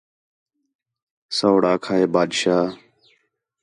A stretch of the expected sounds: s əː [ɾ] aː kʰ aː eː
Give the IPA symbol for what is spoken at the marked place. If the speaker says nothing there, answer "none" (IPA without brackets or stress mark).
ɽ